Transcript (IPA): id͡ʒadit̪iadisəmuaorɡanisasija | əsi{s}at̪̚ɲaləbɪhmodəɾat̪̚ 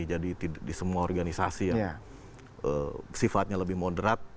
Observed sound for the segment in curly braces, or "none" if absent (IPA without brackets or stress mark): f